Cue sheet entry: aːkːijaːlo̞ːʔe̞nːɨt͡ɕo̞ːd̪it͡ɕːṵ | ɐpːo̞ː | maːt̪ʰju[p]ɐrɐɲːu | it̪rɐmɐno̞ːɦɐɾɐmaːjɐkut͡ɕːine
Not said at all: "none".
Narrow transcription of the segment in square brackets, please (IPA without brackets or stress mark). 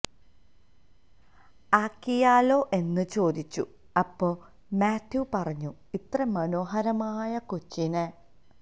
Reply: p